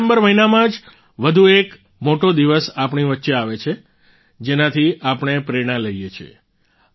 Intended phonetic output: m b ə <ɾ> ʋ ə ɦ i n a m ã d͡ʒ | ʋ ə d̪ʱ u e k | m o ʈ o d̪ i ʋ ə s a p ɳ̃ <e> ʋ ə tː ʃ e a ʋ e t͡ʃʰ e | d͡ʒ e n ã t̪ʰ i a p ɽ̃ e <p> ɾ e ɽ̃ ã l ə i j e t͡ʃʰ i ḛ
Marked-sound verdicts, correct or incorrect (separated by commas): correct, incorrect, correct